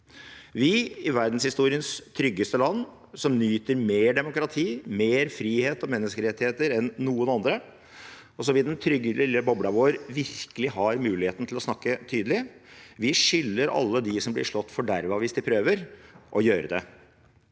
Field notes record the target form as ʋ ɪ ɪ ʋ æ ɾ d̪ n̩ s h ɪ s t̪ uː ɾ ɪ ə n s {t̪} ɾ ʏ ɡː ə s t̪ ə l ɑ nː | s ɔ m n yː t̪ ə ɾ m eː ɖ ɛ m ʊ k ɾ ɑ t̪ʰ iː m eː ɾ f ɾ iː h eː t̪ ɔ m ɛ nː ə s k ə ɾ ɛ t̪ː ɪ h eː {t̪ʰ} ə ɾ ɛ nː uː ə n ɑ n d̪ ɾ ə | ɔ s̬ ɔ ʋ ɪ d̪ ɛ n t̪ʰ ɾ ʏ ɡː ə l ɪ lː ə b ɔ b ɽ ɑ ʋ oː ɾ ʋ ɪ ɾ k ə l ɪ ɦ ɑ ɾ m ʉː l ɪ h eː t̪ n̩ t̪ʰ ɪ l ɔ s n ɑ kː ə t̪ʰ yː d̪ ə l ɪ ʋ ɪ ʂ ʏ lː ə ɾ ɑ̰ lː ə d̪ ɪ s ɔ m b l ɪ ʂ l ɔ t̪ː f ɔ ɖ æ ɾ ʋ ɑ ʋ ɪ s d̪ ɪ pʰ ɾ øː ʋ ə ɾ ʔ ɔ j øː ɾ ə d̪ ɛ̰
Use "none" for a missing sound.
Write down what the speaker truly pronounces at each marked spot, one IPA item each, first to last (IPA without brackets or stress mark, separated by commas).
t̪ʰ, t̪